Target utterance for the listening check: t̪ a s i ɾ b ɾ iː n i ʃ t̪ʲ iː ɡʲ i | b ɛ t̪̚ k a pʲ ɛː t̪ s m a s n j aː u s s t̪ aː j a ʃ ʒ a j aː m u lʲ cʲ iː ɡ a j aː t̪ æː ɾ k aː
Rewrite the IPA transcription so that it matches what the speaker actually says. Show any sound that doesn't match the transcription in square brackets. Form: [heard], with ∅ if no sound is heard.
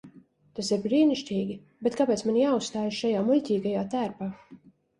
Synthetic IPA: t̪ a s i ɾ b ɾ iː n i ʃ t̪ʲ iː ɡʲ i | b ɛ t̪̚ k a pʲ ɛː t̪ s m a [∅] n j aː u s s t̪ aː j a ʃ [ʃ] a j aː m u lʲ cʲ iː ɡ a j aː t̪ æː ɾ [p] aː